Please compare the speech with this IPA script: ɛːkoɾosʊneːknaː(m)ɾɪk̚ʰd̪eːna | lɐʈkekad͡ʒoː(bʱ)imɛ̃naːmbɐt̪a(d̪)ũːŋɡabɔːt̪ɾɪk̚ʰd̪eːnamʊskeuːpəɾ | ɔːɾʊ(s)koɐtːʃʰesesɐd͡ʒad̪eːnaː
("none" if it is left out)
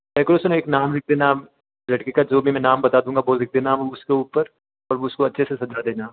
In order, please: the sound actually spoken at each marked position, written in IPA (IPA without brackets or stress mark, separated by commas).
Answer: m, bʱ, d̪, s